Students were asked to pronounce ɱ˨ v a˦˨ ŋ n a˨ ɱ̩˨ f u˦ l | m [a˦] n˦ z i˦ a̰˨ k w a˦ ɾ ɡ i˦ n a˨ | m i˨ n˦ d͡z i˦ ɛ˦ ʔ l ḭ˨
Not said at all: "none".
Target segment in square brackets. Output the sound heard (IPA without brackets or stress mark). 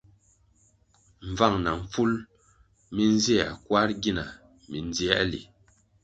i˦